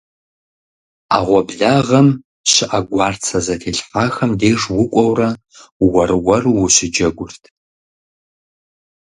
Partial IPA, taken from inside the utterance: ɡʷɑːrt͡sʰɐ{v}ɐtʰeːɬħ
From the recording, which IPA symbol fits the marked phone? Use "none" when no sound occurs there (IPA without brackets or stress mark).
z